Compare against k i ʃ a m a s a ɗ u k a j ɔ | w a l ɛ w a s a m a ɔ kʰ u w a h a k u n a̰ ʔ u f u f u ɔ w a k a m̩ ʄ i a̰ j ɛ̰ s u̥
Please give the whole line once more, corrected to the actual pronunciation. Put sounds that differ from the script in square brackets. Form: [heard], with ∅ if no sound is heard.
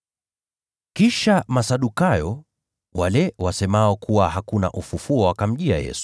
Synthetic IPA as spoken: k i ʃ a m a s a ɗ u k a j ɔ | w a l ɛ w a s [ɛ] m a ɔ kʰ u w a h a k u n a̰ ʔ u f u f u ɔ w a k a m̩ ʄ i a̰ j ɛ̰ s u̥